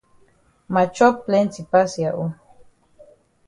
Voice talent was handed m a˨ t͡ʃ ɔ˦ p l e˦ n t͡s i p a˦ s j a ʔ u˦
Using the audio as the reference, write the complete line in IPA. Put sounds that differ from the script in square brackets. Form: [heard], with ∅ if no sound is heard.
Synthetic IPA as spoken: m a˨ t͡ʃ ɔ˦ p l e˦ n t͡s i p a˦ s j a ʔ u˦